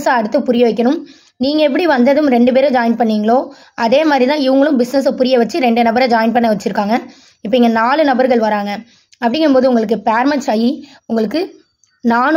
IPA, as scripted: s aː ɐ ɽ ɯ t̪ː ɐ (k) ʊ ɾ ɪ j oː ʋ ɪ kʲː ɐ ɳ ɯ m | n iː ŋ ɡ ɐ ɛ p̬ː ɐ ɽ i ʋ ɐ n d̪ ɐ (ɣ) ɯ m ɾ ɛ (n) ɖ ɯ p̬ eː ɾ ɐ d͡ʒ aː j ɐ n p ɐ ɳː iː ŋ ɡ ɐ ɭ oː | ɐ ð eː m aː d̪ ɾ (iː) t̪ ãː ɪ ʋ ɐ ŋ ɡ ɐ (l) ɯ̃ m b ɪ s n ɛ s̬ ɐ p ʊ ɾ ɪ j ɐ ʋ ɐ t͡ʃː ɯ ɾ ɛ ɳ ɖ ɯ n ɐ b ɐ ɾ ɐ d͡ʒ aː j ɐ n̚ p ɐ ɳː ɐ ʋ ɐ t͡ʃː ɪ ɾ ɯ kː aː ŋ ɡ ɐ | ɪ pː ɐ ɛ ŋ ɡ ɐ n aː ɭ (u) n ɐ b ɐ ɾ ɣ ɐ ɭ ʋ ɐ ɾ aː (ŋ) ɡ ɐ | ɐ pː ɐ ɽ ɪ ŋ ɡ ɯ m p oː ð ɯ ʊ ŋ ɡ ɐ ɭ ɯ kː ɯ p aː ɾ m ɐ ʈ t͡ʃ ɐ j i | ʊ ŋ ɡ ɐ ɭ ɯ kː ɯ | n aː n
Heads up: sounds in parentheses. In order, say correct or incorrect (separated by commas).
incorrect, incorrect, incorrect, incorrect, incorrect, incorrect, correct